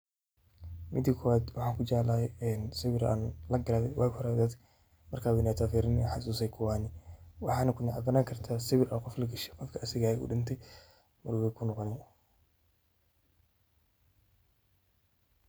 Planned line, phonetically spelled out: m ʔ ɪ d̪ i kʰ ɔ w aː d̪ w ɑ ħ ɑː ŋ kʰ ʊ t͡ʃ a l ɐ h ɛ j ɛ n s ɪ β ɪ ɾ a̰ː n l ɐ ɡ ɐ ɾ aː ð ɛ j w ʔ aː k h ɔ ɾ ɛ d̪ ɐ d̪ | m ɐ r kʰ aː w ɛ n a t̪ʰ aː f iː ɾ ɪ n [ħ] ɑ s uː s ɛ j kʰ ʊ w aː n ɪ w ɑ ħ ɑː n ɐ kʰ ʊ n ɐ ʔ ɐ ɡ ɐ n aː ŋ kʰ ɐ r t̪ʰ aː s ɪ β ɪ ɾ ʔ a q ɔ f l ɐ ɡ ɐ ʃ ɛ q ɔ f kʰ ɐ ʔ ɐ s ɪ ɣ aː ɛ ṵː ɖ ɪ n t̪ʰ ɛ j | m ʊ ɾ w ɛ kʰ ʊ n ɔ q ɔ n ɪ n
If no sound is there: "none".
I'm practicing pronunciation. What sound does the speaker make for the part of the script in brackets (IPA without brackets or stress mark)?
ħ